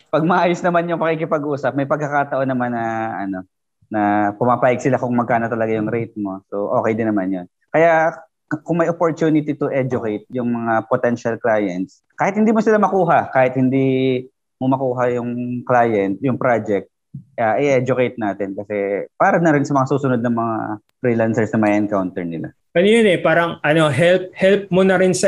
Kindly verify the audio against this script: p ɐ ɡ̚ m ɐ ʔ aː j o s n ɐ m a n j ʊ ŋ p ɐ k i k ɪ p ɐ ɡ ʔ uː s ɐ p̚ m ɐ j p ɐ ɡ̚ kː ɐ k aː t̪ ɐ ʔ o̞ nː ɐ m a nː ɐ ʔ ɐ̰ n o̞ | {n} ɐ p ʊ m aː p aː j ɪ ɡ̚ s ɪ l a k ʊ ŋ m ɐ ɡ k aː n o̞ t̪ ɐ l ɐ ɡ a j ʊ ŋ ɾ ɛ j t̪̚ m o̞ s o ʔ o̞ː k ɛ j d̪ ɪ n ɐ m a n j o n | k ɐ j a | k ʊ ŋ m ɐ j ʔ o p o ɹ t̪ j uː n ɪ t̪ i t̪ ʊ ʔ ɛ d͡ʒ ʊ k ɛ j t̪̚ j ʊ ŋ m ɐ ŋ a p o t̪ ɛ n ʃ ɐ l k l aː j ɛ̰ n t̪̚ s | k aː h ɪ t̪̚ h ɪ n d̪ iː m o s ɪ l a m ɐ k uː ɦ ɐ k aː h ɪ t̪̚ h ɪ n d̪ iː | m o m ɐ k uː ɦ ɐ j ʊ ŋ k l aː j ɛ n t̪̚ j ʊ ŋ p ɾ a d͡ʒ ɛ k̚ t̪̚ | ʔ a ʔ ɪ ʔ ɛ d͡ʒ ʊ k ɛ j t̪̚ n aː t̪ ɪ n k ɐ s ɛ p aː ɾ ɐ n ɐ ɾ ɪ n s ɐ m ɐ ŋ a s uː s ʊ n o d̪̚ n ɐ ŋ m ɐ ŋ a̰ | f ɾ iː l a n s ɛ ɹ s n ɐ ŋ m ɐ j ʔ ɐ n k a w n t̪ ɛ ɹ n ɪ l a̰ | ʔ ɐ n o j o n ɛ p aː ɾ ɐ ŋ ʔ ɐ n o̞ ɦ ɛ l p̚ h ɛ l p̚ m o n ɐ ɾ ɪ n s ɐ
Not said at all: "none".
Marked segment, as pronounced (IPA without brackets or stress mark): n